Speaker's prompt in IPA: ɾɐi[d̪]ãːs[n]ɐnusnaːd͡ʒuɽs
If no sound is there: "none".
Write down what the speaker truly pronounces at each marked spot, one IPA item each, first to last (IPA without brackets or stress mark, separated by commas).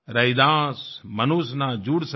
d̪, m